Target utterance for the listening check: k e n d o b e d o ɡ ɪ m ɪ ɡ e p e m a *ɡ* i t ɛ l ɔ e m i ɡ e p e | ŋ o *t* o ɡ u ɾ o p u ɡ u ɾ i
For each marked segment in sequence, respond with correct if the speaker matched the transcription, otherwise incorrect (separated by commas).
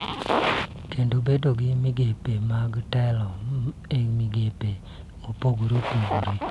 correct, incorrect